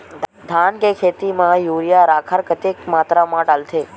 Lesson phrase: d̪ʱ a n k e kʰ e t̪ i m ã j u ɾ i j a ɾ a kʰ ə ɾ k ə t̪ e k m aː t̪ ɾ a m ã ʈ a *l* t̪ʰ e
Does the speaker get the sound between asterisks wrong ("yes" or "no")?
no